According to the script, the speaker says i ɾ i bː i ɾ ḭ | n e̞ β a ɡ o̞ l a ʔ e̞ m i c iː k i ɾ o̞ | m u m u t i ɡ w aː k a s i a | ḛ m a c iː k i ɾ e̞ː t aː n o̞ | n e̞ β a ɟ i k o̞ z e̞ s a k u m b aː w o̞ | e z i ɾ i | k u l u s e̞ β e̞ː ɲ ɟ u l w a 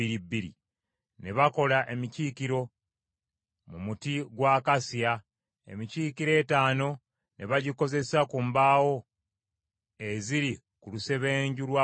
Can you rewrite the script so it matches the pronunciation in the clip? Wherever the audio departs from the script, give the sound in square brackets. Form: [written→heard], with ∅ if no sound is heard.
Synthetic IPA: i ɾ i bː i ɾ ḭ | n e̞ β a [ɡ→k] o̞ l a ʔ e̞ m i c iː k i ɾ o̞ | m u m u t i ɡ w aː k a s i a | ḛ m [a→i] c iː k i ɾ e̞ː t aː n o̞ | n e̞ β a ɟ i k o̞ z e̞ s a k u m b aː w o̞ | e z i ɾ i | k u l u s e̞ β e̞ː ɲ ɟ u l w a